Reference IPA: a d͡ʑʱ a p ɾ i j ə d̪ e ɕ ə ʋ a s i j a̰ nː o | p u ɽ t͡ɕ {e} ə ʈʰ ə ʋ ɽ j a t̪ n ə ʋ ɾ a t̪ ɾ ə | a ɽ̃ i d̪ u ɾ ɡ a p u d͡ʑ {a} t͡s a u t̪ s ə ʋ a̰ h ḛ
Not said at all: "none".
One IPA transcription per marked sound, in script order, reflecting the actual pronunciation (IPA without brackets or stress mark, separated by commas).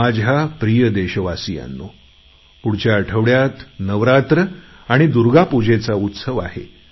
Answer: a, e